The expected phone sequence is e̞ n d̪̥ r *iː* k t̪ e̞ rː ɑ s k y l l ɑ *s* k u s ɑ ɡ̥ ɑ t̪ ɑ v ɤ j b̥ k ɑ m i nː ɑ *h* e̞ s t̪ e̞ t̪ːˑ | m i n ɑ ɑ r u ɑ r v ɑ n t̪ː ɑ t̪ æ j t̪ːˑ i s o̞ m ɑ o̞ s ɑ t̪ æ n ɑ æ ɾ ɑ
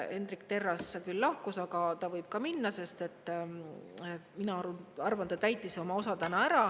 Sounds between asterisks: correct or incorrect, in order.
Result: incorrect: i, incorrect: h, incorrect: s

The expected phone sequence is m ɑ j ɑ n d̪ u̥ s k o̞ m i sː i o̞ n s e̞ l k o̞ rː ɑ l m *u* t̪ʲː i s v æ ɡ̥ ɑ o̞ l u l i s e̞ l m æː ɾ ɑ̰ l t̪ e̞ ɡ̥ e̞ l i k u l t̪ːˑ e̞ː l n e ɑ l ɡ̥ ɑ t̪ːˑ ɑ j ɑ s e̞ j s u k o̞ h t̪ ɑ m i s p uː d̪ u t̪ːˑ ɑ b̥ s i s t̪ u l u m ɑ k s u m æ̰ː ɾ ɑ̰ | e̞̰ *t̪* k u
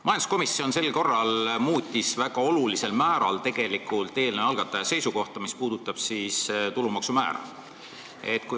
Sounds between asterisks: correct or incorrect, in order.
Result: incorrect: uː, correct

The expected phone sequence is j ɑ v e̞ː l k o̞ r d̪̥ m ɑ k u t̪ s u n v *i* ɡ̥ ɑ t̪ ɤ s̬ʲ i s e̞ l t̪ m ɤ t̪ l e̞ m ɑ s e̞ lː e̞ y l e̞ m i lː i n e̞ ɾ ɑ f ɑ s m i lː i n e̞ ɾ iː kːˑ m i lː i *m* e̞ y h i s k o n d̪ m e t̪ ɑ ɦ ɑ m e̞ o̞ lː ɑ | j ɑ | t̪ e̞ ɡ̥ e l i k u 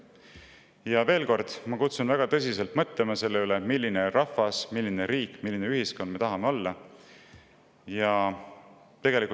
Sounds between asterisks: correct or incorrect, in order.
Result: incorrect: æ, incorrect: n

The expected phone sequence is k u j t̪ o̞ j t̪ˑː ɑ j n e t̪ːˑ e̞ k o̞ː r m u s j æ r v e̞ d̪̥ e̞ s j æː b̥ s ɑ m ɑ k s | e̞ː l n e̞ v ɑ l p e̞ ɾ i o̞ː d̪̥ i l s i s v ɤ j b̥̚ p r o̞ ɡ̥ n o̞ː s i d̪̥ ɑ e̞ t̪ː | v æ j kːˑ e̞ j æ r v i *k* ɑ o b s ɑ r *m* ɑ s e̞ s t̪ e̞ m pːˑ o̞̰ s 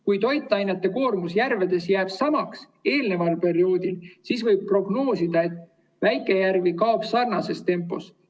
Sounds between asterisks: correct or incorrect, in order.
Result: correct, incorrect: n

